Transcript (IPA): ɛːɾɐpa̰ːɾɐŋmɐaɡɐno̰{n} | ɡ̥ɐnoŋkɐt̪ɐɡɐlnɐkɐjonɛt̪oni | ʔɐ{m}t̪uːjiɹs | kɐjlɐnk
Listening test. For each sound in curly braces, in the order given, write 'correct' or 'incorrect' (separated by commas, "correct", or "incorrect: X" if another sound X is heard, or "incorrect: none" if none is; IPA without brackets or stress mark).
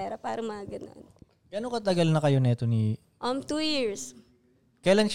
correct, correct